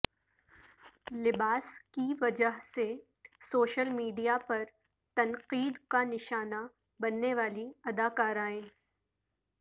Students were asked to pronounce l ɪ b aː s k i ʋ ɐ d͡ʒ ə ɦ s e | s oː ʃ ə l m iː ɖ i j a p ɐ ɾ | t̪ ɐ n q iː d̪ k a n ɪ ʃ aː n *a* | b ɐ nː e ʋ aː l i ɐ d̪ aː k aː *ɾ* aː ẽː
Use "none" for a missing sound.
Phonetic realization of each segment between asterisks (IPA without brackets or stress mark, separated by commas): a, ɾ